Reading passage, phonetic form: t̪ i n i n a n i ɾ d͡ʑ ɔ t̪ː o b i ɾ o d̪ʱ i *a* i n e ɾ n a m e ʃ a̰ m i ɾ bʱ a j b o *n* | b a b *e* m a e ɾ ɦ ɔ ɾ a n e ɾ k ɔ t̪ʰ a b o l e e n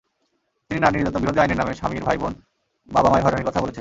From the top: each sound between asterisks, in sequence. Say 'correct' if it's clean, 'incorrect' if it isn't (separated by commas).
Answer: correct, correct, incorrect